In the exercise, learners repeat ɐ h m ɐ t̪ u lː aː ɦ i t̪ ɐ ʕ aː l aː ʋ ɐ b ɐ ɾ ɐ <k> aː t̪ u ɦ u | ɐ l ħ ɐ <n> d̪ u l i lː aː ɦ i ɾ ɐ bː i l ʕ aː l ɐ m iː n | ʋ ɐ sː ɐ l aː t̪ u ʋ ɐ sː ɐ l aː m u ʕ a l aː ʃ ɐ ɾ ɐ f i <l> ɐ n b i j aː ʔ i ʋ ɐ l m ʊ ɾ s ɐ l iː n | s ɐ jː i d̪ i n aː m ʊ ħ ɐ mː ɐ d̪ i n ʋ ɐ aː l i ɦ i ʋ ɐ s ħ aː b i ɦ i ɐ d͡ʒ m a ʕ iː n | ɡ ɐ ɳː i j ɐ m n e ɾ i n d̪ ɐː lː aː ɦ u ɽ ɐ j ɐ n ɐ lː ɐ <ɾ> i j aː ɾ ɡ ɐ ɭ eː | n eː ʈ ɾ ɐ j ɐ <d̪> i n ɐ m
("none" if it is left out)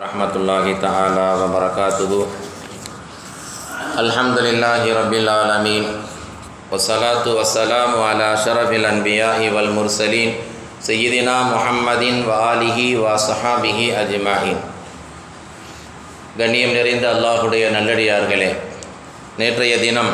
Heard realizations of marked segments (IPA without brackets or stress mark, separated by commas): k, m, l, ɽ, d̪